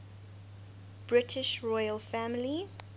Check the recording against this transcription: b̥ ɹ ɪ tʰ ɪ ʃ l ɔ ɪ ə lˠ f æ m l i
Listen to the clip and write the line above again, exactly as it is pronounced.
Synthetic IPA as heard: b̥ ɹ ɪ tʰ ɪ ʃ ɹ ɔ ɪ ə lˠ f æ m l i